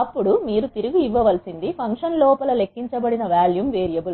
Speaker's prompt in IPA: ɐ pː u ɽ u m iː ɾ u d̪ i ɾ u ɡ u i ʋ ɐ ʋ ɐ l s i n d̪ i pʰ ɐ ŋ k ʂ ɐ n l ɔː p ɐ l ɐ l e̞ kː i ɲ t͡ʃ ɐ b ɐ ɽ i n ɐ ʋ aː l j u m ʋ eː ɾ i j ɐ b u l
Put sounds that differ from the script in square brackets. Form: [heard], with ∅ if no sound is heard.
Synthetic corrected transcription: ɐ pː u ɽ u m iː ɾ u [t̪] i ɾ u ɡ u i [ʋː] ɐ ʋ ɐ l s i n d̪ i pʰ ɐ ŋ k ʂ ɐ n l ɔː p ɐ l ɐ l e̞ kː i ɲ t͡ʃ ɐ b ɐ ɽ i n ɐ ʋ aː l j u m ʋ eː ɾ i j ɐ b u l